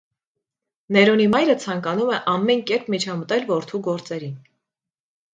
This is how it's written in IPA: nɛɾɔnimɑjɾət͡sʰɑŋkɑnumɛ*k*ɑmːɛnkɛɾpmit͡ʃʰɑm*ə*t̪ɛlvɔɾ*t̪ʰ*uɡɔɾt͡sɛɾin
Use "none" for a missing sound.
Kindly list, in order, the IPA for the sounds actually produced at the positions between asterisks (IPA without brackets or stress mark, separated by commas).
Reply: ʔ, ə, t̪ʰ